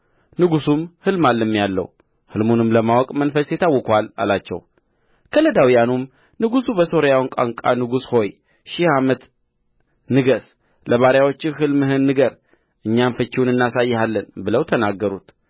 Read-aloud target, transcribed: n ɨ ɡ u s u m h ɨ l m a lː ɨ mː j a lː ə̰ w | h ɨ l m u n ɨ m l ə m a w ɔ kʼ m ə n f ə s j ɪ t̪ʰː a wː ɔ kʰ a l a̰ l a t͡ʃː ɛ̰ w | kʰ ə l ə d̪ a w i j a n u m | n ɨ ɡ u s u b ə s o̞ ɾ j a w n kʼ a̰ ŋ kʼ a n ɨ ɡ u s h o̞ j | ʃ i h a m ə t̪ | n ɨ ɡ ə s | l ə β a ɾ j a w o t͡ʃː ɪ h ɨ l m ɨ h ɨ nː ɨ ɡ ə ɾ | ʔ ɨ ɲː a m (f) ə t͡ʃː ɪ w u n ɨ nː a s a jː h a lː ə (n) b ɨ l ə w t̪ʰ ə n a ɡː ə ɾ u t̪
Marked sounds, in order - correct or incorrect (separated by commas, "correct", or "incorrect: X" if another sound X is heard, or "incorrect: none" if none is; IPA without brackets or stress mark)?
correct, correct